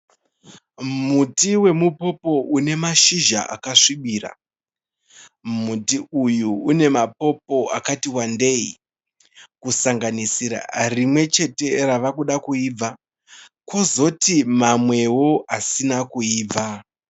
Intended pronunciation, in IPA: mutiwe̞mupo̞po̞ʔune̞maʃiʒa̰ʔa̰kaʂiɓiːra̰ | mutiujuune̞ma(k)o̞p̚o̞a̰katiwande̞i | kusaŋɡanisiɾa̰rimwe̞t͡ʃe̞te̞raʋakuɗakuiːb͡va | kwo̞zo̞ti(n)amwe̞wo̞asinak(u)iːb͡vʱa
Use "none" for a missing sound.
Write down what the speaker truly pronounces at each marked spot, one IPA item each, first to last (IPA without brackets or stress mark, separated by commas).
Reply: p, m, u